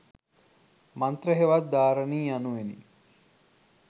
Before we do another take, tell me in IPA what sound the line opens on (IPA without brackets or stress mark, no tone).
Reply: m